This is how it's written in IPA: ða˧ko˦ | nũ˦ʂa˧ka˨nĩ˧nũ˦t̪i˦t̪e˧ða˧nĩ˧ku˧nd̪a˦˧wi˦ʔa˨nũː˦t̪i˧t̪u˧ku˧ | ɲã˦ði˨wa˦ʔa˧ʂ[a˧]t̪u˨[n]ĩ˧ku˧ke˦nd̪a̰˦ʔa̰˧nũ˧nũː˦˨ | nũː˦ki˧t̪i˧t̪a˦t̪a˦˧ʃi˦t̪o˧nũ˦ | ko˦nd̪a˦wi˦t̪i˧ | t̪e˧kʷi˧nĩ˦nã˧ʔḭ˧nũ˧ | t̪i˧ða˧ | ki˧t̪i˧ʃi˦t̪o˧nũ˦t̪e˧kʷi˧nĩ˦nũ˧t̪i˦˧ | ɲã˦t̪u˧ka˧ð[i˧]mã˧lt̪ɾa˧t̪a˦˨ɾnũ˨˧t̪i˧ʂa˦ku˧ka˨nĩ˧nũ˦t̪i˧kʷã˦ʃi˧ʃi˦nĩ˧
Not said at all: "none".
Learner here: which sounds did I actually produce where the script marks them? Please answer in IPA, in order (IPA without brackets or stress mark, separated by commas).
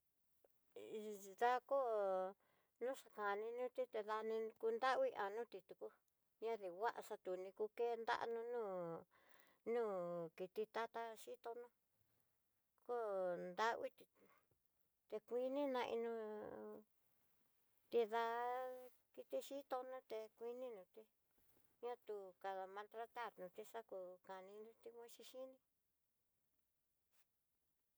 a˧, n, a˧